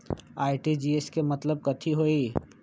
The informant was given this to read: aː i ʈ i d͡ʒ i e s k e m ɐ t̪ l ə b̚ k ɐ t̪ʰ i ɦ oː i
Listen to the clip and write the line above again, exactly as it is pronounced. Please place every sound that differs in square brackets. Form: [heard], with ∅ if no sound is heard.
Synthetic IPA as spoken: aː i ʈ i d͡ʒ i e s k e m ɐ t̪ l ə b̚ k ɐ t̪ʰ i ɦ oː i